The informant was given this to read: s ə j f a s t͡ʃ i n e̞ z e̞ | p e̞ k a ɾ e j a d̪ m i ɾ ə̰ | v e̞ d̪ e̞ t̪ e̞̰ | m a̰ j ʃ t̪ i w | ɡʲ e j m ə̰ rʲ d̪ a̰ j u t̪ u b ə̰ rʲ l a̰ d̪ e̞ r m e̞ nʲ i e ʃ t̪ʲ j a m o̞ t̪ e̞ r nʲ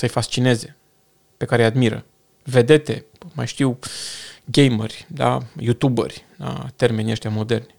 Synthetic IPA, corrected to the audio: s ə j f a s t͡ʃ i n e̞ z e̞ | p e̞ k a ɾ e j a d̪ m i ɾ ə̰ | v e̞ d̪ e̞ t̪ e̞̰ | m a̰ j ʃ t̪ i w | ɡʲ e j m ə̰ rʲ d̪ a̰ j u t̪ u b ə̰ rʲ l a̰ t̪ e̞ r m e̞ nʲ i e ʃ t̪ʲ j a m o̞ d̪ e̞ r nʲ